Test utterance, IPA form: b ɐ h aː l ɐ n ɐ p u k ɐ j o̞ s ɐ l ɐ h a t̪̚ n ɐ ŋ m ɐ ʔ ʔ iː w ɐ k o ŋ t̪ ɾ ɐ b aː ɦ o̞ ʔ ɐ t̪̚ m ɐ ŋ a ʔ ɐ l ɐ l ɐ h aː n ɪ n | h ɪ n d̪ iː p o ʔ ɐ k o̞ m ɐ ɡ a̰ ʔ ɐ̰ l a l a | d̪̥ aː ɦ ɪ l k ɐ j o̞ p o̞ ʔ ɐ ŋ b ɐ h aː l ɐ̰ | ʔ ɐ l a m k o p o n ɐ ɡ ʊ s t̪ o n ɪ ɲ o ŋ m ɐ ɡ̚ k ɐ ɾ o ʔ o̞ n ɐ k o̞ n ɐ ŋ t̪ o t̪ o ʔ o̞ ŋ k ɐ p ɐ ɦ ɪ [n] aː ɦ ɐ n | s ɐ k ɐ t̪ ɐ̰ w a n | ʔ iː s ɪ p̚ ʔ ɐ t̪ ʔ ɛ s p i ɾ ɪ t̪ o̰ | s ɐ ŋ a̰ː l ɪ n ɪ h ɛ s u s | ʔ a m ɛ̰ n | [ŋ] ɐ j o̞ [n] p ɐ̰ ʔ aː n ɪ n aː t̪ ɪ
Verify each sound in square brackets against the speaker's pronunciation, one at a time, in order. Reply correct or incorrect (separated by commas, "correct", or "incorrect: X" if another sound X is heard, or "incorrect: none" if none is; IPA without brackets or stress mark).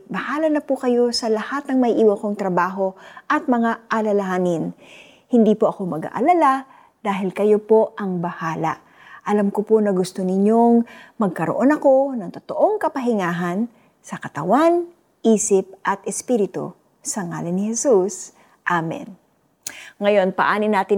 incorrect: ŋ, correct, correct